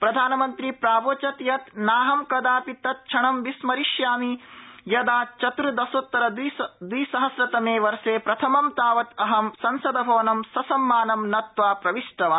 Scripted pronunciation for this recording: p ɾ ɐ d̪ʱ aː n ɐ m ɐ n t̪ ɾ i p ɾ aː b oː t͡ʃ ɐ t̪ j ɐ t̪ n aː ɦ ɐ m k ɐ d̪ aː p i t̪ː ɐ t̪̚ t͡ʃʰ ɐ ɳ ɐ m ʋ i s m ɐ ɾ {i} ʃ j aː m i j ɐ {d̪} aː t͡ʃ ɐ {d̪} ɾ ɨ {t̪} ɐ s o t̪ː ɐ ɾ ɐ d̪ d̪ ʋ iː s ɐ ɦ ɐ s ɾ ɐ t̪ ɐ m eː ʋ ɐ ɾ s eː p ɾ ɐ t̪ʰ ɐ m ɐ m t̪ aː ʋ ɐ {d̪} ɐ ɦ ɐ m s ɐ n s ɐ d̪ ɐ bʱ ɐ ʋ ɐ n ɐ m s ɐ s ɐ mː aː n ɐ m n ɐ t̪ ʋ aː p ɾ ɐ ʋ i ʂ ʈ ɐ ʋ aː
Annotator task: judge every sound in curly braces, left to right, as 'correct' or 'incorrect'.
correct, correct, incorrect: t̪, incorrect: d̪, incorrect: t̪

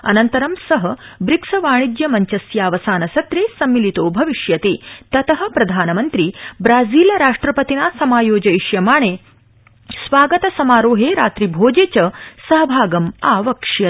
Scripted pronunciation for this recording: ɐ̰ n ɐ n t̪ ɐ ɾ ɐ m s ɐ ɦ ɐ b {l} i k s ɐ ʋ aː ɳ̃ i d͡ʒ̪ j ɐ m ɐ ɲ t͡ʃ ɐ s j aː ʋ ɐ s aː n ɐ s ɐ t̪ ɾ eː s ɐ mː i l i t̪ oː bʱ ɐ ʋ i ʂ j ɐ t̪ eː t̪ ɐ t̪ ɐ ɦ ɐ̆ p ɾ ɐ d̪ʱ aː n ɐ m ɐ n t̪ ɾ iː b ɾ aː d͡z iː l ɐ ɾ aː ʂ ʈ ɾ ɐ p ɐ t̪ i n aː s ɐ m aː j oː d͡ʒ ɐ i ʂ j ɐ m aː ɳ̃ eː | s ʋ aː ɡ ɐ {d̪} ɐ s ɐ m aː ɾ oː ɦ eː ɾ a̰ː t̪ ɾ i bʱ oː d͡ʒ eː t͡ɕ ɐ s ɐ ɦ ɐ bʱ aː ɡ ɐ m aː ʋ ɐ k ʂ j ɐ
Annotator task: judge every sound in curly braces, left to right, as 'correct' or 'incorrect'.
incorrect: ɾ, incorrect: t̪

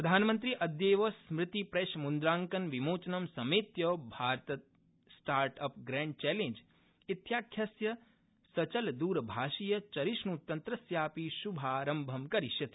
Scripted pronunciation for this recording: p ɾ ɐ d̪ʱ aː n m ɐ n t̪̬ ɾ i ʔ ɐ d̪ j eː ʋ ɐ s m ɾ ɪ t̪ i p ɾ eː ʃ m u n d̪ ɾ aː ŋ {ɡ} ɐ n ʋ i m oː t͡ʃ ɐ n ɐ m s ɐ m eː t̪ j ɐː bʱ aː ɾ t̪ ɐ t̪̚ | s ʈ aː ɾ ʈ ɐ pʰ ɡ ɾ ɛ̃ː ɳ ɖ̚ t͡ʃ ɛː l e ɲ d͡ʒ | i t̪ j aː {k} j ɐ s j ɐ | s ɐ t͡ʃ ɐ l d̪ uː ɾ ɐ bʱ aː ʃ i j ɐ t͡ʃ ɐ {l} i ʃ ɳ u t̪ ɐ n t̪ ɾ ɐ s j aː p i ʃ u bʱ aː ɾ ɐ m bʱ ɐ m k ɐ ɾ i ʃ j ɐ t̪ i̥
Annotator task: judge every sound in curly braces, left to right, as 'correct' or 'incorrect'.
incorrect: k, incorrect: kʰ, incorrect: ɾ

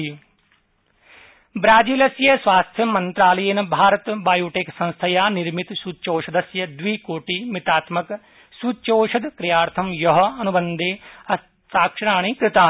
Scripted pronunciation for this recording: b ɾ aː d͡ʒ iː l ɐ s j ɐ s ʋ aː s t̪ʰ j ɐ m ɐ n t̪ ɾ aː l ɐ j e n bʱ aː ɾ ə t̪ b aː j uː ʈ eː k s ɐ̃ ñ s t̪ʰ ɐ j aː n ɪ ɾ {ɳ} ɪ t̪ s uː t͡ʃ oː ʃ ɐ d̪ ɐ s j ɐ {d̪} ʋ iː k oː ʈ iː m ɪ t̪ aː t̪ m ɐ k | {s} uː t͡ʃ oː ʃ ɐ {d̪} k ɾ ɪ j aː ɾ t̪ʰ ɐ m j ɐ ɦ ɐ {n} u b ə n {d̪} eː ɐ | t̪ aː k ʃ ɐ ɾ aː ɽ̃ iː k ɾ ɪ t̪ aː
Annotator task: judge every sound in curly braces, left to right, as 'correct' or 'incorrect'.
incorrect: m, correct, correct, correct, correct, correct

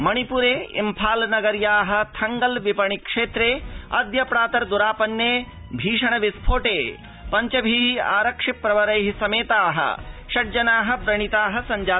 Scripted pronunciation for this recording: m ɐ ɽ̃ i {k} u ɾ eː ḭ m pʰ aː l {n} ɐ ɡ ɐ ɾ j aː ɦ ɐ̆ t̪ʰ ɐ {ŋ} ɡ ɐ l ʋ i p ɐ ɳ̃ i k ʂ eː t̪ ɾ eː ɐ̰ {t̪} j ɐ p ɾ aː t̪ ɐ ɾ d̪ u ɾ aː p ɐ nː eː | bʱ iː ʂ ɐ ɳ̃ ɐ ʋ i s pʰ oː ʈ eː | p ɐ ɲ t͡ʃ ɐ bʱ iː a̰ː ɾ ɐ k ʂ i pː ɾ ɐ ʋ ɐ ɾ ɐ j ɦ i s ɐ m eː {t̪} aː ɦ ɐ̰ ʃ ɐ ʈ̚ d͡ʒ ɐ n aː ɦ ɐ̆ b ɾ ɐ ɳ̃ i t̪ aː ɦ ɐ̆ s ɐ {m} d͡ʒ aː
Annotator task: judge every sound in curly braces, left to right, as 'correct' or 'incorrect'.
incorrect: p, correct, correct, incorrect: d̪, correct, incorrect: ɲ

